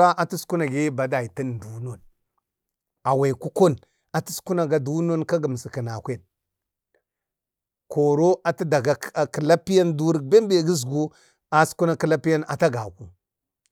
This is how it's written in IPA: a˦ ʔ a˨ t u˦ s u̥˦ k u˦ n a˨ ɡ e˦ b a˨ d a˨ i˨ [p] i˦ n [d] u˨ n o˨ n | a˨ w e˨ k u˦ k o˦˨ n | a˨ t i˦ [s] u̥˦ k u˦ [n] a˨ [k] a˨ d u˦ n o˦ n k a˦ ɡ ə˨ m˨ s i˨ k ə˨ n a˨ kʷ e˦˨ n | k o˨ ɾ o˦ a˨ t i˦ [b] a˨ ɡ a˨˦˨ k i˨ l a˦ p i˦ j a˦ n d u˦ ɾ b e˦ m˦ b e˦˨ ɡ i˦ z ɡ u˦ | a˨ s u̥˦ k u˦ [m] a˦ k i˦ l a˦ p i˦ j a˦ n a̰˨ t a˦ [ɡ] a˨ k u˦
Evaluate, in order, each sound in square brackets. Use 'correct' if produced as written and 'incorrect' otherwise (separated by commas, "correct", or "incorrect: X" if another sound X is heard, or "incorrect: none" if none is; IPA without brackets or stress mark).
incorrect: t, correct, correct, correct, incorrect: ɡ, incorrect: d, incorrect: n, correct